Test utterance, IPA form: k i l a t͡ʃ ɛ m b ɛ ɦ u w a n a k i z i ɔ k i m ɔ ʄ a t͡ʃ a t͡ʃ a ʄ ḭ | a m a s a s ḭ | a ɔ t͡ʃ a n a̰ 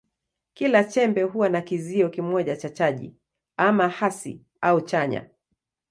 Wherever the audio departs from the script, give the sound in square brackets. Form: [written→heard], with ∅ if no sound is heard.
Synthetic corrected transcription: k i l a t͡ʃ ɛ m b ɛ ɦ u w a n a k i z i ɔ k i m ɔ ʄ a t͡ʃ a t͡ʃ a ʄ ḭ | a m a [s→h] a s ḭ | a [ɔ→u] t͡ʃ a [n→ɲ] a̰